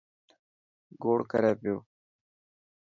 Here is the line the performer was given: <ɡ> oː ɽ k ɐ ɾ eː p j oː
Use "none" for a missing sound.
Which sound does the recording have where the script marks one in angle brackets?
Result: ɡ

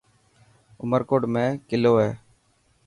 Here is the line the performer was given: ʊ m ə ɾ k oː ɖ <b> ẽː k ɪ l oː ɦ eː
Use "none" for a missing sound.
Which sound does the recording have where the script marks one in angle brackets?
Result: m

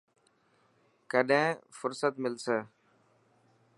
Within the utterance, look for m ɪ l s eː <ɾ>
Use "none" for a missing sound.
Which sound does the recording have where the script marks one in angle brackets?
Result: none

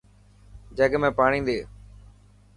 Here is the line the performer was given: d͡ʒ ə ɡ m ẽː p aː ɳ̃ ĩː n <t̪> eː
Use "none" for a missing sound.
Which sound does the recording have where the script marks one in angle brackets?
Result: d̪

